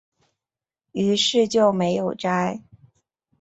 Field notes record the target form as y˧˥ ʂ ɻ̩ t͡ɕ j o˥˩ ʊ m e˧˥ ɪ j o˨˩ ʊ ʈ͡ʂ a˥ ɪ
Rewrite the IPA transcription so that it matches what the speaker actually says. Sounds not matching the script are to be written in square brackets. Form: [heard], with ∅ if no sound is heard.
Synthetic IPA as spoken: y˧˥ ʂ ɻ̩ t͡ɕ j o˥˩ ʊ m e˧˥ ɪ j o˨˩ ʊ ʈ͡ʂ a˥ ɪ

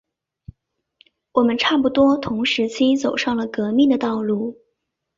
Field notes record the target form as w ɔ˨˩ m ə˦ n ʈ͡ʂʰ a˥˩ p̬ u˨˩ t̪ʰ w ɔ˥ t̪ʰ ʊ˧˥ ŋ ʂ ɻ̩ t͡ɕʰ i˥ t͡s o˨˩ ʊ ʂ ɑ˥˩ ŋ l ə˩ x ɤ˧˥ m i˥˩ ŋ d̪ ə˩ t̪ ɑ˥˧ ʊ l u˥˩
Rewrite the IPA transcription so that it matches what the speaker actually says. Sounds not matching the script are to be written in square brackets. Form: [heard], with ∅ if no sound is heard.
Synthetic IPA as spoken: w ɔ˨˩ m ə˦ n ʈ͡ʂʰ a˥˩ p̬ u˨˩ [t̪] w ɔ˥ t̪ʰ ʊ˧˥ ŋ ʂ ɻ̩ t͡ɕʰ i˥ t͡s o˨˩ ʊ ʂ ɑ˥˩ ŋ l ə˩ [k] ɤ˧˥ m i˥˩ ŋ d̪ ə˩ t̪ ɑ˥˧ ʊ l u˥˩

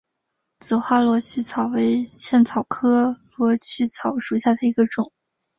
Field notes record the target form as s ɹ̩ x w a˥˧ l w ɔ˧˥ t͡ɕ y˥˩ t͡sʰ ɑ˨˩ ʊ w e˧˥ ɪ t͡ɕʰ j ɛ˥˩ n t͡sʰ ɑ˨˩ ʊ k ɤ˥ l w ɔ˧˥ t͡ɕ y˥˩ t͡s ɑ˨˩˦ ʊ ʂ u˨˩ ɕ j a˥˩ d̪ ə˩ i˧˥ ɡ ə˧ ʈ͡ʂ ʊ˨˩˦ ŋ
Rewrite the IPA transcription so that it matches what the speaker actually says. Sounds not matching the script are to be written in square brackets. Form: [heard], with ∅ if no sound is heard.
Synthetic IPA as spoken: [t͡s] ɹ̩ x w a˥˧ l w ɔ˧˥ [t͡ɕʰ] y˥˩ t͡sʰ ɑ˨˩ ʊ w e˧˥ ɪ t͡ɕʰ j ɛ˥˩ n t͡sʰ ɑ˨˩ ʊ [kʰ] ɤ˥ l w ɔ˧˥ [t͡ɕʰ] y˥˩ [t͡sʰ] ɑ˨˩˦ ʊ ʂ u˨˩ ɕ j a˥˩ d̪ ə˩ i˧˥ ɡ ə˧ ʈ͡ʂ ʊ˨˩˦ ŋ

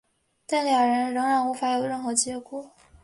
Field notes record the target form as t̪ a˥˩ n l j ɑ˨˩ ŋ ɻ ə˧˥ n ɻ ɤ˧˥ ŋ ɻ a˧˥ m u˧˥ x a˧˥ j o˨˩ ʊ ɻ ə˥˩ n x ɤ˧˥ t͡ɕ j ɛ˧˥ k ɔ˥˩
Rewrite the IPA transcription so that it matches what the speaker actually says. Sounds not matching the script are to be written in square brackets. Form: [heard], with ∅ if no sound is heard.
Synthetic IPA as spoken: t̪ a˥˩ n l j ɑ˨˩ ŋ ɻ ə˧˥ n ɻ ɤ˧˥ ŋ ɻ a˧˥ [n] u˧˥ [f] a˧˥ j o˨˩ ʊ ɻ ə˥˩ n x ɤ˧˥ t͡ɕ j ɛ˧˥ k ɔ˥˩

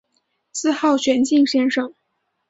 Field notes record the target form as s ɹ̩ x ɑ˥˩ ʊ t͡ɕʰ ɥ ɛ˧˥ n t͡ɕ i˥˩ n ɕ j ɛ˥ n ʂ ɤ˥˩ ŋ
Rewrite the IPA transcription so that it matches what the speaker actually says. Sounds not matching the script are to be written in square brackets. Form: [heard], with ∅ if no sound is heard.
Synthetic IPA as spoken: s ɹ̩ x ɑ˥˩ ʊ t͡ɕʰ ɥ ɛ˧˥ n t͡ɕ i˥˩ [ŋ] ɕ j ɛ˥ n ʂ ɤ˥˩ ŋ

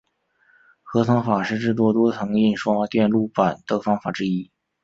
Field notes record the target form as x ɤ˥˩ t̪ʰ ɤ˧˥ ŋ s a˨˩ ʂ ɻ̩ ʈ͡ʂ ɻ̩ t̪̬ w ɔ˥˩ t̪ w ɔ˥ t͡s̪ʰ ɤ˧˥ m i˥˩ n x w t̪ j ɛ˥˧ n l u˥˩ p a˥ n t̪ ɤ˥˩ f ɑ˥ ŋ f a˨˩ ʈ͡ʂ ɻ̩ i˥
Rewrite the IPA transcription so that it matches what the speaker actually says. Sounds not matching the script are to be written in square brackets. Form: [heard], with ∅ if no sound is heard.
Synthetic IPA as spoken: x [ɤ˧˥] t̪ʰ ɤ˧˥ ŋ [f] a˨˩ ʂ ɻ̩ ʈ͡ʂ ɻ̩ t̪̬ w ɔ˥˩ t̪ w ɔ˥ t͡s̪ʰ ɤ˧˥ [ŋ] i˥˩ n [ʂ] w t̪ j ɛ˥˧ n l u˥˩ p [a˨˩] n t̪ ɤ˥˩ f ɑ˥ ŋ f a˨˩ ʈ͡ʂ ɻ̩ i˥

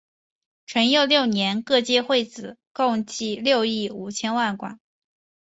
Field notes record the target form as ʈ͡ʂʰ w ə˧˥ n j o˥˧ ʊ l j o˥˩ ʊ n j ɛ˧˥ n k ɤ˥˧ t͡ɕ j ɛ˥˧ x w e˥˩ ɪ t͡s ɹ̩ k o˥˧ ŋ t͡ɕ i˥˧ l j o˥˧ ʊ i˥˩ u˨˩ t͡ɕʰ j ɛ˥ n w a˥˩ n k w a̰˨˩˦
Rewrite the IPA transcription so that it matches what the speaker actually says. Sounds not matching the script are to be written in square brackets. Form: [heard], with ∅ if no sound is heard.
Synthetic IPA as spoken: ʈ͡ʂʰ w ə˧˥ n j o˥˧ ʊ l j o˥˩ ʊ n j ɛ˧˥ n k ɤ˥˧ t͡ɕ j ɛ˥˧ x w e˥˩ ɪ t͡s ɹ̩ k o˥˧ ŋ t͡ɕ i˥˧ l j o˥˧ ʊ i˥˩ u˨˩ t͡ɕʰ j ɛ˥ n w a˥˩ n k w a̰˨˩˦

